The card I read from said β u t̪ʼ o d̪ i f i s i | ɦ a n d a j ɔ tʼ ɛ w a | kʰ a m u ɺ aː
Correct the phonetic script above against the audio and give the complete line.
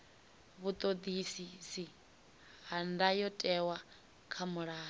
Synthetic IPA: β u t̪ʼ o d̪ i s i s i | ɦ a n d a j ɔ tʼ ɛ w a | kʰ a m u ɺ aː